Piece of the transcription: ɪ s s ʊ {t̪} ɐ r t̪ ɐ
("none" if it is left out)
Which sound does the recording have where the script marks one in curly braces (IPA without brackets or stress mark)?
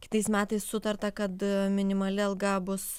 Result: t̪